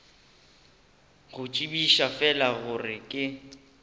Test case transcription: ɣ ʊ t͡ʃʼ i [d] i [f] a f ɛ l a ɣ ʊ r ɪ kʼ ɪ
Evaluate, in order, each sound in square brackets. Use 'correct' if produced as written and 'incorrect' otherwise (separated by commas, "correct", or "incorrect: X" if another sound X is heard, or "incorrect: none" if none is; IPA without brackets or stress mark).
incorrect: b, incorrect: ʃ